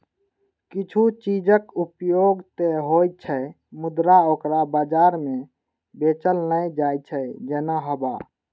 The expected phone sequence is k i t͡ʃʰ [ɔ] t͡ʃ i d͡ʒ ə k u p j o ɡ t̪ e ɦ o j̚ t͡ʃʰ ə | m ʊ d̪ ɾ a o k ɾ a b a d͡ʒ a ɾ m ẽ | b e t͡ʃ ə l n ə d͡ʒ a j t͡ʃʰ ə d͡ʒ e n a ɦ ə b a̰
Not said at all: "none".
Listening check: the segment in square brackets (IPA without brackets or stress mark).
u